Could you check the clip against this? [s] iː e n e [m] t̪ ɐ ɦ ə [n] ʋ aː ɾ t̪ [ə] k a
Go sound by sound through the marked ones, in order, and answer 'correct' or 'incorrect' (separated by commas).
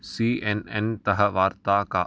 correct, incorrect, incorrect, incorrect